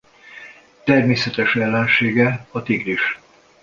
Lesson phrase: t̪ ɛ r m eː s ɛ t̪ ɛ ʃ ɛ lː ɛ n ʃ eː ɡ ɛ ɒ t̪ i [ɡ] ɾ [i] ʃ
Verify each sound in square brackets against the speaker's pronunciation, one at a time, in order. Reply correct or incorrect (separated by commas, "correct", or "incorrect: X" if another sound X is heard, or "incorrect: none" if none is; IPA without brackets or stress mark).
correct, correct